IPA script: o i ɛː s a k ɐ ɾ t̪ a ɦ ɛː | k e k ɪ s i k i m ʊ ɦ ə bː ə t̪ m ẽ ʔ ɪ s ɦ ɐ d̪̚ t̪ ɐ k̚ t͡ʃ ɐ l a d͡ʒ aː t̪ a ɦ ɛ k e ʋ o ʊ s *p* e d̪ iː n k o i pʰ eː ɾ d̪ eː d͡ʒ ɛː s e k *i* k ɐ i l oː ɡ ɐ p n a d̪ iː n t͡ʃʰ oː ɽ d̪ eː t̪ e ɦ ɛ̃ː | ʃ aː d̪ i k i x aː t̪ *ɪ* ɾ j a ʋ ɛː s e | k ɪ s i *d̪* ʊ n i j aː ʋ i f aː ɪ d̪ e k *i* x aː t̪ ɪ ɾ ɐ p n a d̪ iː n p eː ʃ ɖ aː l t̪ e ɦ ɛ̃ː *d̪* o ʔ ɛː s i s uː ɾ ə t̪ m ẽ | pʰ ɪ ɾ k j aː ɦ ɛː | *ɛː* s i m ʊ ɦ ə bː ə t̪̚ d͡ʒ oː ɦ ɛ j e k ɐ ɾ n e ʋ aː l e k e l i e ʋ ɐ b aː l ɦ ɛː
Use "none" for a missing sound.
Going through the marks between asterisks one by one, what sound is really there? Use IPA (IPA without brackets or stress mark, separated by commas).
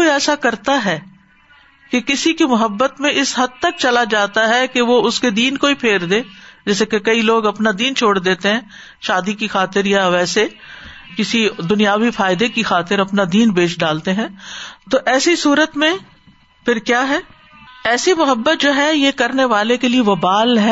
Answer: k, e, ɪ, d̪, i, t̪, ɛː